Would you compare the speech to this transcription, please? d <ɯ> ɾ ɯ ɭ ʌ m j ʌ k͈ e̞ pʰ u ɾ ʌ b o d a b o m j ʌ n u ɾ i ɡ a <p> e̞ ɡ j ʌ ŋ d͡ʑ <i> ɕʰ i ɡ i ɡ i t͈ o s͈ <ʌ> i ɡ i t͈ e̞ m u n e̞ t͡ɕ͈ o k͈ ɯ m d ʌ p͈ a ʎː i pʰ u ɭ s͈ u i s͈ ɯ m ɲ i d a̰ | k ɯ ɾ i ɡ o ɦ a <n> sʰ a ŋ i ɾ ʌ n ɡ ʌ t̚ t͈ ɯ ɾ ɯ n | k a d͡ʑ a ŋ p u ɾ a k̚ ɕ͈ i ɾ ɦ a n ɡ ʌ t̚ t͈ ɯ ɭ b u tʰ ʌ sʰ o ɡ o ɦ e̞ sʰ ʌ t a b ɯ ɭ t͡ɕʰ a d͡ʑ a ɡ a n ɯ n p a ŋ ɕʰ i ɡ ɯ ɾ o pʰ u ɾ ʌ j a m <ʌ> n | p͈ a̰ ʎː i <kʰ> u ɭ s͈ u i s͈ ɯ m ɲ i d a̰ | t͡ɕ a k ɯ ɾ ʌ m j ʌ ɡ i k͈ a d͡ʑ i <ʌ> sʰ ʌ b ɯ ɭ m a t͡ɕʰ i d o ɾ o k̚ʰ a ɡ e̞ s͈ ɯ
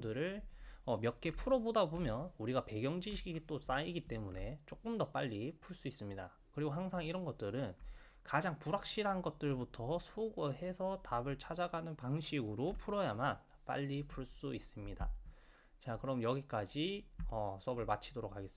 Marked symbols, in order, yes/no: yes, yes, yes, no, no, no, no, yes

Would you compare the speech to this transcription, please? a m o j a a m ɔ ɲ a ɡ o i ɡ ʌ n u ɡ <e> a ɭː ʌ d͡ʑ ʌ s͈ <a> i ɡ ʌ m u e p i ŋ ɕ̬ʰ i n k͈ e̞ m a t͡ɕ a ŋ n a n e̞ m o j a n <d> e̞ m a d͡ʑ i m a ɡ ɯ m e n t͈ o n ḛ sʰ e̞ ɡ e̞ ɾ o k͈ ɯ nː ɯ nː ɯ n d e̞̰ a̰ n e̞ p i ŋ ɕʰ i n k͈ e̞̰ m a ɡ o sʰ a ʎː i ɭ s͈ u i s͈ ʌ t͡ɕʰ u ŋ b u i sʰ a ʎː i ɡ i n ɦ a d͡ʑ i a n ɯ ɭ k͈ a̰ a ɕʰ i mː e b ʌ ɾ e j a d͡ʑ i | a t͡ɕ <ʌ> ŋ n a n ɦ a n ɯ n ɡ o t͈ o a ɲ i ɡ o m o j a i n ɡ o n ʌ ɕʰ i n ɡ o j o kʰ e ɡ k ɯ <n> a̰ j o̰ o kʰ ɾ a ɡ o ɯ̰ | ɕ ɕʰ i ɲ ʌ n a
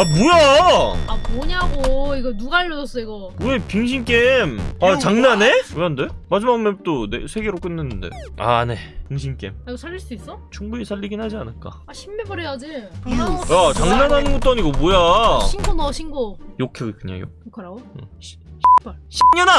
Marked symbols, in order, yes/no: no, no, yes, no, no

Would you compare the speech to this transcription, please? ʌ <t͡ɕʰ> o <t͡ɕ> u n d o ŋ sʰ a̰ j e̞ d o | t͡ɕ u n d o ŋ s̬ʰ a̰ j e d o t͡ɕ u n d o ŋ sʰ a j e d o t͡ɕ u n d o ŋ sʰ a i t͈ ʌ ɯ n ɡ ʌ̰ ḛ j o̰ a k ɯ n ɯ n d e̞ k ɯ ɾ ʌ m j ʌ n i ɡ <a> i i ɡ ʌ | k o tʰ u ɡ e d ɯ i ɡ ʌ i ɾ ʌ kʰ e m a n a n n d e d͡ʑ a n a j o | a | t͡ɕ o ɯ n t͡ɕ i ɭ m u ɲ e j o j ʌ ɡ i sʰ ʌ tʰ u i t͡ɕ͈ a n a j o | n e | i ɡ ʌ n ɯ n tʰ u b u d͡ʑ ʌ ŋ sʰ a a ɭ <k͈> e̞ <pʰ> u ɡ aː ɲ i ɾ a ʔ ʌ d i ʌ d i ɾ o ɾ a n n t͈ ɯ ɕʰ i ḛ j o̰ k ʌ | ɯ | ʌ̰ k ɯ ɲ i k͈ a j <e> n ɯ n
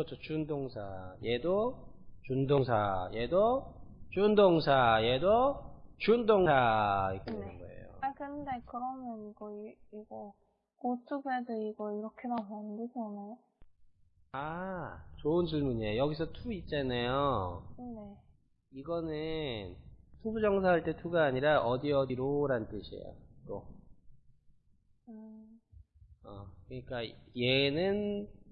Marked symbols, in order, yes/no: yes, yes, no, no, no, yes

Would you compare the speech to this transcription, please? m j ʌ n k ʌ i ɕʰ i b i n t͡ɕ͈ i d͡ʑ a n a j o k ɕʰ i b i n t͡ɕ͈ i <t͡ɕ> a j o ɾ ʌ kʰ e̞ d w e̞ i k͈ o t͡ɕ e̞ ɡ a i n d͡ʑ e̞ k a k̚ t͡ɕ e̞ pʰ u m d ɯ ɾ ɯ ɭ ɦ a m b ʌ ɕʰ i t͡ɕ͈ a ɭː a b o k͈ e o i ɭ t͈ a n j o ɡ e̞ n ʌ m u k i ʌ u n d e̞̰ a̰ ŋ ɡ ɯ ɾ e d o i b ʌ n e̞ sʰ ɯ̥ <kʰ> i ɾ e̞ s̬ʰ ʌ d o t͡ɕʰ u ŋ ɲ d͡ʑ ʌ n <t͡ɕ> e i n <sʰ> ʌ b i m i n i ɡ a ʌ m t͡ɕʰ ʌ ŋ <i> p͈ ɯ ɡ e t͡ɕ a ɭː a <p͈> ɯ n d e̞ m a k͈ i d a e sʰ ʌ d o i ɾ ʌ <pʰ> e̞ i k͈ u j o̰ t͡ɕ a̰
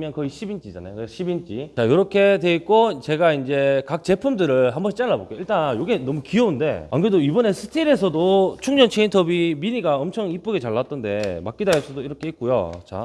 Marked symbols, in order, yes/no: yes, no, no, no, yes, no, no

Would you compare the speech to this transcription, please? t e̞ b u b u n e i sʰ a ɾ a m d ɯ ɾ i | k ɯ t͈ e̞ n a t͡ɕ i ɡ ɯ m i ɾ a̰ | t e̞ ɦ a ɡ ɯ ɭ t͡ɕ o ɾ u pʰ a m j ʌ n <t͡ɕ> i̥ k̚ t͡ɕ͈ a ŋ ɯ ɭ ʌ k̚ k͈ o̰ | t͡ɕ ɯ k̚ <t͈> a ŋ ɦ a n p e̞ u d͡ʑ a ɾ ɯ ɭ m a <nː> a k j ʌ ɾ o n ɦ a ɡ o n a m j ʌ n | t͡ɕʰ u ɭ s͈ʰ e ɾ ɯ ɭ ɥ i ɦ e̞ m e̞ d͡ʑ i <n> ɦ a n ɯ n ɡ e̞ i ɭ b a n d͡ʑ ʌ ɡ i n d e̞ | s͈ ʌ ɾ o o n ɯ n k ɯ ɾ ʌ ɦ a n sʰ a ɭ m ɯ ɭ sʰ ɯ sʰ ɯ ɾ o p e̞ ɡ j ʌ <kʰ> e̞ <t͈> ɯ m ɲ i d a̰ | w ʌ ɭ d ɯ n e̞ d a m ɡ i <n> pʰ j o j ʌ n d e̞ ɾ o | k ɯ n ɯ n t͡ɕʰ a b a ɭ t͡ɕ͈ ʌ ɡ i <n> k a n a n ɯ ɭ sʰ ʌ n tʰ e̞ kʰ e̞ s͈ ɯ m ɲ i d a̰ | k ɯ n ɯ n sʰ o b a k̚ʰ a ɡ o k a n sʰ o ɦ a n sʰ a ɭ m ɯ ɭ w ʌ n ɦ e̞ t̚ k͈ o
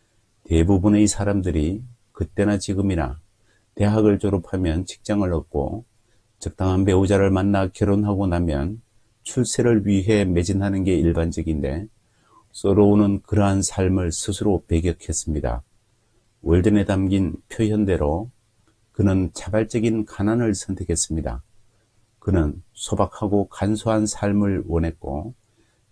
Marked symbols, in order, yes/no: no, yes, yes, yes, yes, no, yes, yes

